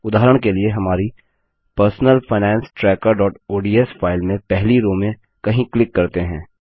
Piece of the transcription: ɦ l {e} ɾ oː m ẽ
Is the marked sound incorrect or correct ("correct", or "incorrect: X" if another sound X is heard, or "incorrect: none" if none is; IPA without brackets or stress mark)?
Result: incorrect: i